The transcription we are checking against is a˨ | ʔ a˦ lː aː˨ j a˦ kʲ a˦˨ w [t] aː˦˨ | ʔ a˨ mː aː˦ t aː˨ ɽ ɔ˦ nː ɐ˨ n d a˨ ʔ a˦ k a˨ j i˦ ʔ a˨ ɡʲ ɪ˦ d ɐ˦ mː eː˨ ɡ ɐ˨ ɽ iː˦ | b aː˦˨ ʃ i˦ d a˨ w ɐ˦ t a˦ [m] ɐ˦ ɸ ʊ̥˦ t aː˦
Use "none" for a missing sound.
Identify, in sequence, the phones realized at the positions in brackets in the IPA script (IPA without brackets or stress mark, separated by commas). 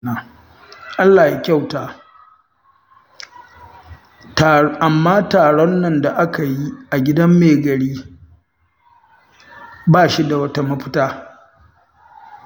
t, m